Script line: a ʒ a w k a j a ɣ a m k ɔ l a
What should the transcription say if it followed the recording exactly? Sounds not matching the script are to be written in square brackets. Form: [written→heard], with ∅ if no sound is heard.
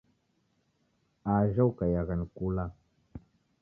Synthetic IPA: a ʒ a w k a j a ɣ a [m→n] k [ɔ→u] l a